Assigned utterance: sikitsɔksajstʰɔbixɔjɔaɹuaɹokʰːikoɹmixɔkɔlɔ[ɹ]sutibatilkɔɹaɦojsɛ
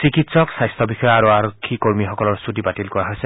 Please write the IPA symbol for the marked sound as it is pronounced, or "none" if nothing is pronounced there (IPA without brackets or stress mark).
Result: ɹ